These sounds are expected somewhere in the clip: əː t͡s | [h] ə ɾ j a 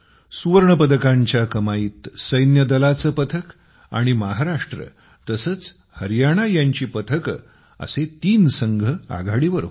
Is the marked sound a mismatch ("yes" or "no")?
no